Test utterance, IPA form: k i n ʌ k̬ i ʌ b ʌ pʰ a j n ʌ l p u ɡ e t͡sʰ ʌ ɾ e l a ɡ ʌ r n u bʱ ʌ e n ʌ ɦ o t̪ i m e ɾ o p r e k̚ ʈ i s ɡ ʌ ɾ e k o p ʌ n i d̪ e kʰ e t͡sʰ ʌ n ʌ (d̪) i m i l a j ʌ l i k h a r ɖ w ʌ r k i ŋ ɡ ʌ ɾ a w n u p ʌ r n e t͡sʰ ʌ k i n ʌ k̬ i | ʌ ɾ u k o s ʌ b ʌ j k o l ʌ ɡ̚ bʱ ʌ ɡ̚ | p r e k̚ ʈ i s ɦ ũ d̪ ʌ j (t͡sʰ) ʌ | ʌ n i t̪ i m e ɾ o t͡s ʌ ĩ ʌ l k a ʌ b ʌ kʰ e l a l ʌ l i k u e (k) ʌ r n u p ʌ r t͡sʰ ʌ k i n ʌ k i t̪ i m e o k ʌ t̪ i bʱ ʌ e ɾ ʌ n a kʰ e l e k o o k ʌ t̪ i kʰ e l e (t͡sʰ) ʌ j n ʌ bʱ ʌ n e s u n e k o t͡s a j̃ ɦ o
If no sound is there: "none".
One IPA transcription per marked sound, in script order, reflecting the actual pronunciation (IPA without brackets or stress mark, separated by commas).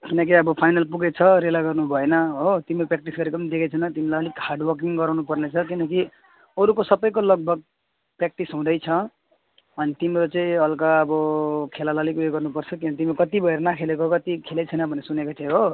t̪, t͡sʰ, ɡ, t͡sʰ